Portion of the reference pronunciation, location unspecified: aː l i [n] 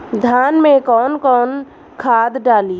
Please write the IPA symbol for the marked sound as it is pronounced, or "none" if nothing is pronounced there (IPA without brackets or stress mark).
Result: none